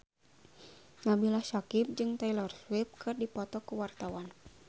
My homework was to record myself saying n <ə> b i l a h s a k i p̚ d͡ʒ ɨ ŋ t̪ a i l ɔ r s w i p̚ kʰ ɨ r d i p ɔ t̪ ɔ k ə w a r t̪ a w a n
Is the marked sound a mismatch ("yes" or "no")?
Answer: yes